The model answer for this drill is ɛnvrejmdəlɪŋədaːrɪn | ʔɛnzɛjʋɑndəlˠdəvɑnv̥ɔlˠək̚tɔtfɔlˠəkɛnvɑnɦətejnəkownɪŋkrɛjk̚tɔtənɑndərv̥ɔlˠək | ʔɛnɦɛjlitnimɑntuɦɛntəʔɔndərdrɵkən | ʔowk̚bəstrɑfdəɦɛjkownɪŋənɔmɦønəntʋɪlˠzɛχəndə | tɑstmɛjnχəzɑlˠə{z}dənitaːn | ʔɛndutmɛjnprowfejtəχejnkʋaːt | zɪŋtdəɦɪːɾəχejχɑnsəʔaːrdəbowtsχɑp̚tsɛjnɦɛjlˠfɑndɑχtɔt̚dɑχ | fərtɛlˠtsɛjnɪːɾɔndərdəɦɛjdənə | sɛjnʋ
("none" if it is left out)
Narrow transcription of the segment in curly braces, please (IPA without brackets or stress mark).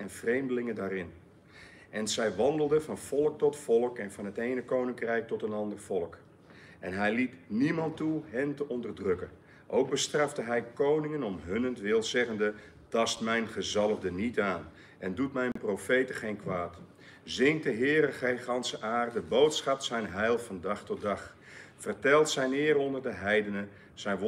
v